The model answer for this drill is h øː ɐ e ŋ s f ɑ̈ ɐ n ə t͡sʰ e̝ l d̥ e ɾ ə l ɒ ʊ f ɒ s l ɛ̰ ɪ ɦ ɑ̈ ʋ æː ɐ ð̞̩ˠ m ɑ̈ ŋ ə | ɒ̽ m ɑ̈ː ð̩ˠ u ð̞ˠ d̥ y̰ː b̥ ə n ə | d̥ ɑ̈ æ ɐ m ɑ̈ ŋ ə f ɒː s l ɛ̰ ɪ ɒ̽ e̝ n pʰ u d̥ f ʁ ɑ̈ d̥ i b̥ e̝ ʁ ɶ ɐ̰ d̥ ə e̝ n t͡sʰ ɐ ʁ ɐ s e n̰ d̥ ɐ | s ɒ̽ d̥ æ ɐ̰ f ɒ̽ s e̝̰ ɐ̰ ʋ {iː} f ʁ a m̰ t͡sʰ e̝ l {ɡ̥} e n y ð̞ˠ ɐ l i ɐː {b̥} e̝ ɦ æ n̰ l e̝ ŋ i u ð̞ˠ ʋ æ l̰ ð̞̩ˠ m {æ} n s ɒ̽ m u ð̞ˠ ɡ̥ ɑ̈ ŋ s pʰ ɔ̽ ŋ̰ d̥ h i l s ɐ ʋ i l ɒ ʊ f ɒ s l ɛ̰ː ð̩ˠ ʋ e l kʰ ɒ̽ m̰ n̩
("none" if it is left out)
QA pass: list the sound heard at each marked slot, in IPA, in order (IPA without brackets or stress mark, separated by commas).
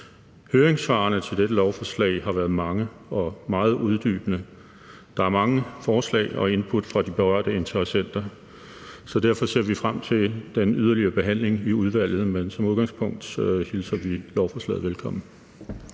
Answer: i, d̥, b̥, e